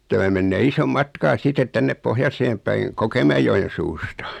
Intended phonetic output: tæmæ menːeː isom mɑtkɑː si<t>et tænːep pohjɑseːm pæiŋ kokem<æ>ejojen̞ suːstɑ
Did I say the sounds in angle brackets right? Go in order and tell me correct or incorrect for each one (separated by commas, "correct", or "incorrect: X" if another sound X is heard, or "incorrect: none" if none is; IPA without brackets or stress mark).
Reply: correct, correct